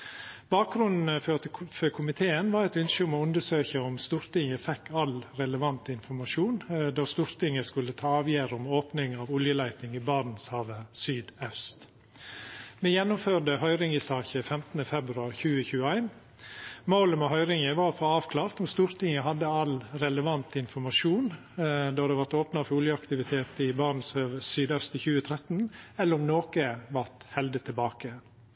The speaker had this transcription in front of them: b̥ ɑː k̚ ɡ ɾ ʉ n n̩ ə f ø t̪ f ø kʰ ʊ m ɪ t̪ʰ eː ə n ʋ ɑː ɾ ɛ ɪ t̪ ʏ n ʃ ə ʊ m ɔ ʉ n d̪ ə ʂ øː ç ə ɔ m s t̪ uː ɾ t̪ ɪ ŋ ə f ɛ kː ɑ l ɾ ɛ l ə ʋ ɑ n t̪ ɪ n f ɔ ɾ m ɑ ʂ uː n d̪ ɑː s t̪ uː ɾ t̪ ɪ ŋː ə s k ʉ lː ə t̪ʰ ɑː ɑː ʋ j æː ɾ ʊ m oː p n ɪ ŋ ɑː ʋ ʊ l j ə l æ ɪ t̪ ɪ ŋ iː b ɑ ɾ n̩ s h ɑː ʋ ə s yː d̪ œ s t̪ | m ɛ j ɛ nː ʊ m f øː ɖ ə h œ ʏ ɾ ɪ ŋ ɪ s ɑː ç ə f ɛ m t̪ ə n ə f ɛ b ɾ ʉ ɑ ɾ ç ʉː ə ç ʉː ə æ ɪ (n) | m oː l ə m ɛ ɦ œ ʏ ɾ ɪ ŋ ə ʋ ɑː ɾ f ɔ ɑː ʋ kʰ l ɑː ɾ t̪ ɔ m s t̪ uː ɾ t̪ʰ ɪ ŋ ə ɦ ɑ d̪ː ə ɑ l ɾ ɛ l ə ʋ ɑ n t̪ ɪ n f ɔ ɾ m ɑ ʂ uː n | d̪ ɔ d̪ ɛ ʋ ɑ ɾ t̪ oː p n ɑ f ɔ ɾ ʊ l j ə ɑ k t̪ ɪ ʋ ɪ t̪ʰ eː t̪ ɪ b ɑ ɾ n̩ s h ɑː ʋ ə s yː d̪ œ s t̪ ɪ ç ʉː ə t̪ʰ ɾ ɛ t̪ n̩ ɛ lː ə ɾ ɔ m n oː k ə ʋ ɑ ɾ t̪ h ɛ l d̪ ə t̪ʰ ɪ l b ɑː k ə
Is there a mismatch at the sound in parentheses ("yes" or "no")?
no